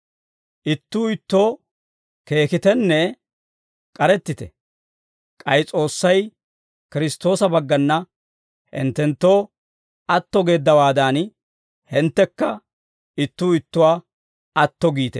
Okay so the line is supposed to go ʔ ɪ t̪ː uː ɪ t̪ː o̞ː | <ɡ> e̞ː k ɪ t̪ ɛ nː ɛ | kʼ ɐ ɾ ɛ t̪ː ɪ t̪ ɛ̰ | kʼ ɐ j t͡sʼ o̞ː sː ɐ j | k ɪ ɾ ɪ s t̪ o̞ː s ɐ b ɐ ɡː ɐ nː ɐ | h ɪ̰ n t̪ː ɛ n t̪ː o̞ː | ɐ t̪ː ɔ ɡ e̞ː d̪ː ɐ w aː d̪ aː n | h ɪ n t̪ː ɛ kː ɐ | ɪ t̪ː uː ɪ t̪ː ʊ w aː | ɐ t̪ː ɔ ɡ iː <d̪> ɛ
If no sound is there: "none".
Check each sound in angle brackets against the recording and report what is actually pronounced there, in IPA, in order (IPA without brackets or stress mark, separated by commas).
k, t̪